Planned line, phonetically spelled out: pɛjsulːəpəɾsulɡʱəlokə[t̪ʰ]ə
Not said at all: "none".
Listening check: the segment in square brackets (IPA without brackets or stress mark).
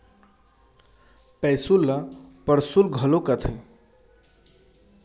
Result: t̪ʰ